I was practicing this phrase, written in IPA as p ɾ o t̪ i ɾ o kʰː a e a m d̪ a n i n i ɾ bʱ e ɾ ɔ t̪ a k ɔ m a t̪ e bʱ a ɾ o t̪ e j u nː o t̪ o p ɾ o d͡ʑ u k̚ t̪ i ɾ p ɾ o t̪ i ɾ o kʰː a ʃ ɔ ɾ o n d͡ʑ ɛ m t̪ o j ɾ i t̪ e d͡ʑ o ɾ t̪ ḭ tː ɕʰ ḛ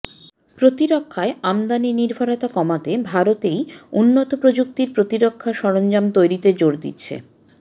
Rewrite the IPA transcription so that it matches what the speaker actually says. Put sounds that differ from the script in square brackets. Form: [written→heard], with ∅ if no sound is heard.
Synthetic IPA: p ɾ o t̪ i ɾ o kʰː a e a m d̪ a n i n i ɾ bʱ [e→a] ɾ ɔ t̪ a k ɔ m a t̪ e bʱ a ɾ o t̪ e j u nː o t̪ o p ɾ o d͡ʑ u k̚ t̪ i ɾ p ɾ o t̪ i ɾ o kʰː a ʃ ɔ ɾ o n d͡ʑ [ɛ→a] m t̪ o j ɾ i t̪ e d͡ʑ o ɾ [t̪→d̪] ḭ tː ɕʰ ḛ